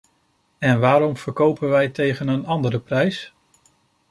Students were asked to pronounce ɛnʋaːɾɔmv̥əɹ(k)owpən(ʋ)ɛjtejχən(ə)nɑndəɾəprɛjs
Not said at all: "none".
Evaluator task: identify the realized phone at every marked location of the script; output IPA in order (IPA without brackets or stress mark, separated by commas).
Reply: k, ʋ, ə